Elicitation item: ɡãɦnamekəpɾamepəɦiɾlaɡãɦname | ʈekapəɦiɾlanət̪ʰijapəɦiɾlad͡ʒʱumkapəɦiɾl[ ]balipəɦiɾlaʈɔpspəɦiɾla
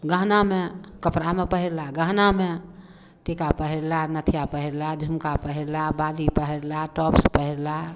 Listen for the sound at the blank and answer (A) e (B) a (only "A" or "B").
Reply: B